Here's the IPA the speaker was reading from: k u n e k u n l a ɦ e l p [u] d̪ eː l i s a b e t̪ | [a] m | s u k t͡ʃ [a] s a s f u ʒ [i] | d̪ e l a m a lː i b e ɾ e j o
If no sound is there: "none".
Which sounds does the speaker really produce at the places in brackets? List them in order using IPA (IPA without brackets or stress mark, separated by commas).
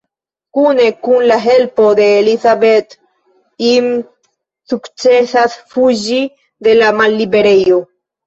o, i, e, i